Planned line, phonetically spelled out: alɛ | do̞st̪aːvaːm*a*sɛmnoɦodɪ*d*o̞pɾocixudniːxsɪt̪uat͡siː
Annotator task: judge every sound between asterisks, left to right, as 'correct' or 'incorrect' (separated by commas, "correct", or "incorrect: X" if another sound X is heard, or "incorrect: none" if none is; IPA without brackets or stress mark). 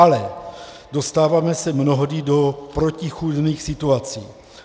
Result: incorrect: ɛ, correct